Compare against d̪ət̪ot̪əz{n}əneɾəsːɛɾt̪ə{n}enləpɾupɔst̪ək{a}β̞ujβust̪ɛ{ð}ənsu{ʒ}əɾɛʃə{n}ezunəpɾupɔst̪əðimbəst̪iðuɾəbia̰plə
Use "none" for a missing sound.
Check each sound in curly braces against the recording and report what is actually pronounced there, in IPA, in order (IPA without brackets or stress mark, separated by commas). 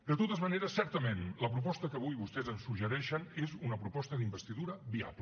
m, m, ə, z, ʒ, n